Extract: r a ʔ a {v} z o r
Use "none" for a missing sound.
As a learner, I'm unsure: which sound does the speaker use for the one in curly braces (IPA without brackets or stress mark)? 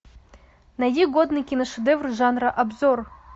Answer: b